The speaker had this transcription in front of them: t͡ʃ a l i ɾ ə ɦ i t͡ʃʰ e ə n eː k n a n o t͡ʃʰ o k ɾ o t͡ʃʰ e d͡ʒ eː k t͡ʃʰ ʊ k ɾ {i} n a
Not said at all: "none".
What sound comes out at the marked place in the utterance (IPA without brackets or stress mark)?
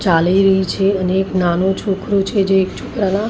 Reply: a